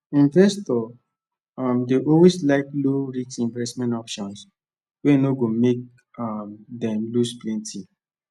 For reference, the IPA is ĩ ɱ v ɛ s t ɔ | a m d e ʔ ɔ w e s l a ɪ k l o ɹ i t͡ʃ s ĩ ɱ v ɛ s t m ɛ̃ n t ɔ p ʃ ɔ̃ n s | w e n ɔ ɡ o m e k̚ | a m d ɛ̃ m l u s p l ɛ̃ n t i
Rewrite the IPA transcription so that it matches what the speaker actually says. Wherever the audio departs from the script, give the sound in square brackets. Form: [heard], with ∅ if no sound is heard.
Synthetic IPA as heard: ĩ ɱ v ɛ s t ɔ | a m d e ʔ ɔ w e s l a ɪ k l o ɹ i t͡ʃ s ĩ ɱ v ɛ s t m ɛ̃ n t ɔ p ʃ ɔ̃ n s | w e n [o] ɡ o m e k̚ | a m d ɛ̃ m l u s p l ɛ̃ n t i